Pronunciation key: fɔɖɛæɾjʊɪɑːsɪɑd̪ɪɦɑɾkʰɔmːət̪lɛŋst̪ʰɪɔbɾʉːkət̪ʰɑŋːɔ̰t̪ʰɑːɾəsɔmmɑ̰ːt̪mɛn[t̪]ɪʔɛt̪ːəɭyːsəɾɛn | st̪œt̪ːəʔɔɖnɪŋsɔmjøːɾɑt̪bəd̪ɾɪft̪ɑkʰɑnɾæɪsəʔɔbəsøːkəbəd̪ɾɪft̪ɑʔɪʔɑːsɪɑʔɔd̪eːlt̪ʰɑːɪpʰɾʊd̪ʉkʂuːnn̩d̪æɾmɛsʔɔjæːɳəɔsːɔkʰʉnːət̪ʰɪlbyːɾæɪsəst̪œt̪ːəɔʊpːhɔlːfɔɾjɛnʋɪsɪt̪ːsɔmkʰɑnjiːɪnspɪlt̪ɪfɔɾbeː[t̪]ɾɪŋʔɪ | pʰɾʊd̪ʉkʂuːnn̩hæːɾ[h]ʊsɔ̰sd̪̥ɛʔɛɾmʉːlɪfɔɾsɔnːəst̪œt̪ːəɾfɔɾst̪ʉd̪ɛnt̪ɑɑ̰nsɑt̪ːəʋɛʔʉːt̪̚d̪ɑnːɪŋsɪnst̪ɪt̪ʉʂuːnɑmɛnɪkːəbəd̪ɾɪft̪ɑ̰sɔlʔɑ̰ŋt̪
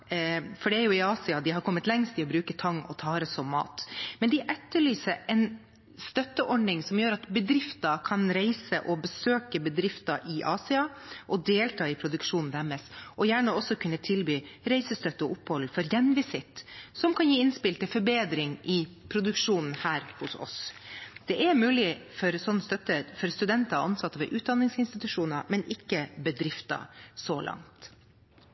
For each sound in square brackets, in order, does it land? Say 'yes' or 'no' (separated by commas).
no, no, yes